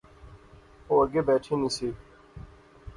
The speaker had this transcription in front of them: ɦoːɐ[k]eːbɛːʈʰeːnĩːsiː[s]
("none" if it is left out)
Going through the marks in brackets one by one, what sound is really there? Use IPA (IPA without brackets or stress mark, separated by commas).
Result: ɡ, none